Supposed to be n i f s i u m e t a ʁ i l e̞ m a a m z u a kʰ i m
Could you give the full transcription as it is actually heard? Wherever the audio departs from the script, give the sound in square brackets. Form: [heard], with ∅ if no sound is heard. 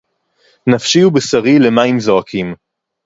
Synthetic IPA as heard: n [a] f [ʃ] i u [b] e [s] a ʁ i l e̞ m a [i] m z [o] a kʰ i m